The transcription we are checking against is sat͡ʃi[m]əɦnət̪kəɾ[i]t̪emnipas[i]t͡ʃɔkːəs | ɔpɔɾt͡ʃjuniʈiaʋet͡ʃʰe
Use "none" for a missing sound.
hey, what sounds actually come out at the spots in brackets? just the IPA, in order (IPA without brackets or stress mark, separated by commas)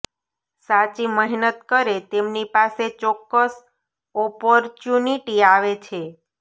m, e, e